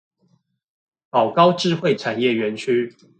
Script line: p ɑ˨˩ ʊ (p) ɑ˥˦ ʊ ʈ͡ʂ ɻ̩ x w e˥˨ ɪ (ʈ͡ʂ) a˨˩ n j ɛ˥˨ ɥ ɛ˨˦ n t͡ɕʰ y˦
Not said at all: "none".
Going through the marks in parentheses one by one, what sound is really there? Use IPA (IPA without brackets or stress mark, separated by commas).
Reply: k, ʈ͡ʂʰ